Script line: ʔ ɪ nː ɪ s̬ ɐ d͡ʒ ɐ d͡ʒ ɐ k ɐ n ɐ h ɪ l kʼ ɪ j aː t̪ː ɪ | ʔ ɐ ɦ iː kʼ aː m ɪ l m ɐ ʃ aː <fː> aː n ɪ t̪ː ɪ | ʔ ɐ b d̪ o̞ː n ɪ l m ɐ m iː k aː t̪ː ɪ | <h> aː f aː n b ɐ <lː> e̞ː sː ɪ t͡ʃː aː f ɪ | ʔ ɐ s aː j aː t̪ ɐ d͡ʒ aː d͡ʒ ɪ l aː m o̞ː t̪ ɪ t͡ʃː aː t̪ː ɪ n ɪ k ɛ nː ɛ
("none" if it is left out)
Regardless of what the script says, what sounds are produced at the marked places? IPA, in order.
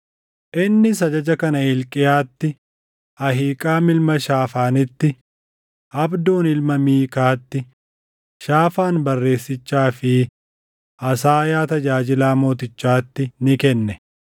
f, ʃ, rː

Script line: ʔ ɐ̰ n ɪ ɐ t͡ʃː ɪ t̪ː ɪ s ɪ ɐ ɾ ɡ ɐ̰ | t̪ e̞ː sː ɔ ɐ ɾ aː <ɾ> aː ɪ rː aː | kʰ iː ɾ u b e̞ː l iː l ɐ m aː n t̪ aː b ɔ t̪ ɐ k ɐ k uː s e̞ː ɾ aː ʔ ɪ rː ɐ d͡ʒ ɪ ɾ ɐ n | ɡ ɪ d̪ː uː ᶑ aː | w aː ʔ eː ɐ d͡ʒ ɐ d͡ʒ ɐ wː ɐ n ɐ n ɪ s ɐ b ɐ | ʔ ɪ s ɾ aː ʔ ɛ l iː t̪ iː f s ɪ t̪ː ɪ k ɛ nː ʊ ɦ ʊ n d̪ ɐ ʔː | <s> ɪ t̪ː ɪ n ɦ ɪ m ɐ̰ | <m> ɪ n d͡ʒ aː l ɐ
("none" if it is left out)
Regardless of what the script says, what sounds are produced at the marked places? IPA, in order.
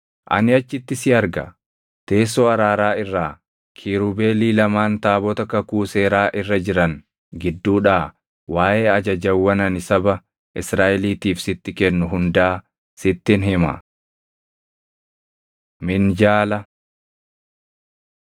ɾ, s, m

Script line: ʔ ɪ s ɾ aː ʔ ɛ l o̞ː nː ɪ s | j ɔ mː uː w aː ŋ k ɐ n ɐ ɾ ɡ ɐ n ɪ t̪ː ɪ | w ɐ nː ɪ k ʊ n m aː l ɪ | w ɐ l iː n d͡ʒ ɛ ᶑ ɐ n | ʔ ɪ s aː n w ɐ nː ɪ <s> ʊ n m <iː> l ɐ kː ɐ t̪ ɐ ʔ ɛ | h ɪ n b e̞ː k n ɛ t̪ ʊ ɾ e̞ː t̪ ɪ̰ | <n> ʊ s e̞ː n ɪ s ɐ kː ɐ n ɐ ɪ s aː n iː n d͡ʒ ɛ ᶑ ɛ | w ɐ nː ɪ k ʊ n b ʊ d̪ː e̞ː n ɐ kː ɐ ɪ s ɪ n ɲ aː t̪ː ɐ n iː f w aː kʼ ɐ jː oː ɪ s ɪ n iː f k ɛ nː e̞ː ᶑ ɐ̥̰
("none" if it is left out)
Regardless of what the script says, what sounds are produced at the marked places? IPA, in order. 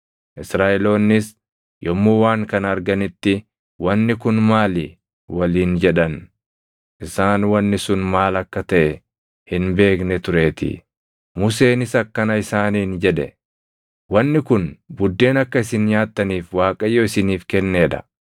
s, aː, m

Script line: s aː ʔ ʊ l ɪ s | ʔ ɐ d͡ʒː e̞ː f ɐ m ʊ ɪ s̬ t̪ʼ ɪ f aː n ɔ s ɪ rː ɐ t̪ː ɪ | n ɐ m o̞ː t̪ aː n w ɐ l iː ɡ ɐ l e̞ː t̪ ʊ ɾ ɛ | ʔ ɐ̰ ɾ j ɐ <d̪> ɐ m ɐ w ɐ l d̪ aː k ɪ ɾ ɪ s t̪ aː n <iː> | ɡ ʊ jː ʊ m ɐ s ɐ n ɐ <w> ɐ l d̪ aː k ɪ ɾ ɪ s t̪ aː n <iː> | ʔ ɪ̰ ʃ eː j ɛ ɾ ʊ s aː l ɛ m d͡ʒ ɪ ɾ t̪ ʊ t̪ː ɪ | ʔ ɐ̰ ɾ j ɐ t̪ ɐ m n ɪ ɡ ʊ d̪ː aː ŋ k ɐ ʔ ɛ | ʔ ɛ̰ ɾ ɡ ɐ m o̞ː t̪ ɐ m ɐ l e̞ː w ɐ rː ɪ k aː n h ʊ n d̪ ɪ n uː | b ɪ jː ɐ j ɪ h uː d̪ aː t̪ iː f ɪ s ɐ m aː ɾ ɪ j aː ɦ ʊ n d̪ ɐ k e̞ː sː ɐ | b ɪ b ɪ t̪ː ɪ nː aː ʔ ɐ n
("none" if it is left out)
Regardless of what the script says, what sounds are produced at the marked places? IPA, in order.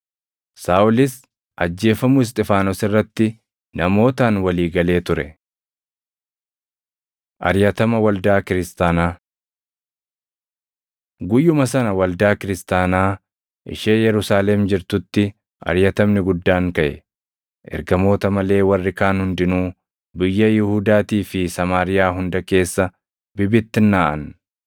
t̪, aː, w, aː

